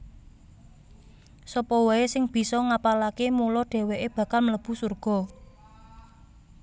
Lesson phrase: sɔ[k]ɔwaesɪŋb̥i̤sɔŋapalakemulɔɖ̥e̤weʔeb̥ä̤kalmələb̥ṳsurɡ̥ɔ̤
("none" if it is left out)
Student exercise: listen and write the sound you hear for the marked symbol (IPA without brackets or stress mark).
p